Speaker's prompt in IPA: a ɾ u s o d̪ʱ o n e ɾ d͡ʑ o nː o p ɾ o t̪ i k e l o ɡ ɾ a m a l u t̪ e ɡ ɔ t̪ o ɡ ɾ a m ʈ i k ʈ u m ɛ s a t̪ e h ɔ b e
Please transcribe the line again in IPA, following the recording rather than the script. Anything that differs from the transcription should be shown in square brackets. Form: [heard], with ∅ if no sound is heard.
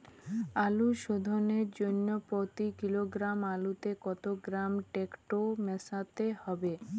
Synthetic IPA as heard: a [l] u [ʃ] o d̪ʱ o n e ɾ d͡ʑ o nː o p ɾ o t̪ i k [i] l o ɡ ɾ a m a l u t̪ e [k] ɔ t̪ o ɡ ɾ a m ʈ [e] k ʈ [o] m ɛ s a t̪ e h ɔ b e

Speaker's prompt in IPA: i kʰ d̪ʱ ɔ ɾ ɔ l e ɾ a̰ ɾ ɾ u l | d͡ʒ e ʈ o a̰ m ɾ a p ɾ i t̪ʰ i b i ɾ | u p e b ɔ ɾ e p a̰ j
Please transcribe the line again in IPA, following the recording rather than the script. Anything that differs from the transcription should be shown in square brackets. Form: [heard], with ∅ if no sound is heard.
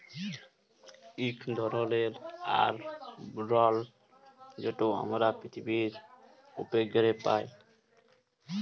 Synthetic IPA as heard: i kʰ d̪ʱ ɔ ɾ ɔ l e ɾ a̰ ɾ ɾ [ɔ] l | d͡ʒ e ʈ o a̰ m ɾ a p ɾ i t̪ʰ i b i ɾ | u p e [ɡ] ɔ ɾ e p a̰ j

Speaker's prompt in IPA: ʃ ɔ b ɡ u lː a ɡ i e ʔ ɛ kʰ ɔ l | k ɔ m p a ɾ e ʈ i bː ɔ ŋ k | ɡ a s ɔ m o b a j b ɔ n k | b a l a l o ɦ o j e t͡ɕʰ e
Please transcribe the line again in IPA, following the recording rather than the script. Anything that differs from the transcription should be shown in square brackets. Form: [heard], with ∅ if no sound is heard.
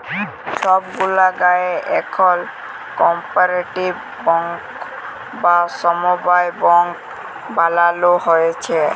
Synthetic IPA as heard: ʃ ɔ b ɡ u [l] a ɡ [a] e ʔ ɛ kʰ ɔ l | k ɔ m p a ɾ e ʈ i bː ɔ ŋ k | [b] a s ɔ m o b a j b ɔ [ŋ] k | b a l a l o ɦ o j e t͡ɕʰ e

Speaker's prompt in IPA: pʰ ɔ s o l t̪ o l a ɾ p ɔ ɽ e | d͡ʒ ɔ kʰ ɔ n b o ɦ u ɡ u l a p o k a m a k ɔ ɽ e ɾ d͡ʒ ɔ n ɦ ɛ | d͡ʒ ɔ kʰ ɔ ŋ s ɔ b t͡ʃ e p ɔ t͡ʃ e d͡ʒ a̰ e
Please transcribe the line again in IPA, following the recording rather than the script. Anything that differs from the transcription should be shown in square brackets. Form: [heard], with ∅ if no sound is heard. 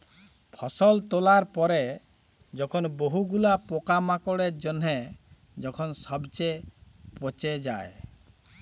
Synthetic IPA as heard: pʰ ɔ s [ɔ] l t̪ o l a ɾ p ɔ [ɾ] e | d͡ʒ ɔ kʰ ɔ n b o ɦ u ɡ u l a p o k a m a k ɔ ɽ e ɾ d͡ʒ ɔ n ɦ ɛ | d͡ʒ ɔ kʰ ɔ [n] s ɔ b t͡ʃ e p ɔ t͡ʃ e d͡ʒ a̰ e

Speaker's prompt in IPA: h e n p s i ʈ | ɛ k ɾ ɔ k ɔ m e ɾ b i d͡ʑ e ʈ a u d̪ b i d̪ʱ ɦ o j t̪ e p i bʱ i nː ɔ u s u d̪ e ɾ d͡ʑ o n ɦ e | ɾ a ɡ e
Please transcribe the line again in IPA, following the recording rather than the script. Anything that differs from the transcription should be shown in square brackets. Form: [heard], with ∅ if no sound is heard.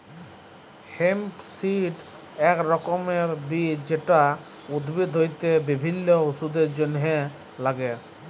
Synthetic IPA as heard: h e [m] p s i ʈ | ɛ k ɾ ɔ k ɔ m e ɾ b i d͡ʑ e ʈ a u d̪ b i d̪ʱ ɦ o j t̪ e [b] i bʱ i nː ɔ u s u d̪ e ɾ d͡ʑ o n ɦ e | [l] a ɡ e

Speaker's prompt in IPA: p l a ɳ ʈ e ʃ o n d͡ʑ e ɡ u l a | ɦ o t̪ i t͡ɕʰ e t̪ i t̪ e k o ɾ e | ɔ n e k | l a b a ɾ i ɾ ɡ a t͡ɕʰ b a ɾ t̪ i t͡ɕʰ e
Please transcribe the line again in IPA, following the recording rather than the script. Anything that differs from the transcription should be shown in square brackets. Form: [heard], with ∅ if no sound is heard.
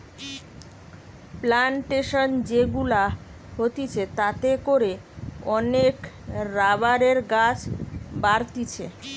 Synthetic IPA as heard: p l a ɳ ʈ e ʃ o n d͡ʑ e ɡ u l a | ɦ o t̪ i t͡ɕʰ e t̪ [a] t̪ e k o ɾ e | ɔ n e k | [ɾ] a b a ɾ [e] ɾ ɡ a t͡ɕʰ b a ɾ t̪ i t͡ɕʰ e

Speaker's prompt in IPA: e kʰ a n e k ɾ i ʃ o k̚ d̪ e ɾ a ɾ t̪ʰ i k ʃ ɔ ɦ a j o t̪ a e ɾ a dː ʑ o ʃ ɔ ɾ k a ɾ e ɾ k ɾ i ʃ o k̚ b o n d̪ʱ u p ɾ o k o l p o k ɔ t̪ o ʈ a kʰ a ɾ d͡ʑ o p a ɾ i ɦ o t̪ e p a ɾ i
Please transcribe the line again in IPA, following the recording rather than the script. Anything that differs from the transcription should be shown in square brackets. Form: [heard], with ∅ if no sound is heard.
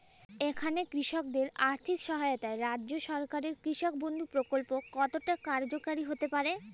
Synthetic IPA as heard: e kʰ a n e k ɾ i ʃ o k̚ d̪ e ɾ a ɾ t̪ʰ i k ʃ ɔ ɦ a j o t̪ a e ɾ a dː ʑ o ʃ ɔ ɾ k a ɾ e ɾ k ɾ i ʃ o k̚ b o n d̪ʱ u p ɾ o k o l p o k ɔ t̪ o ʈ a [k] a ɾ d͡ʑ o [k] a ɾ i ɦ o t̪ e p a ɾ [e]

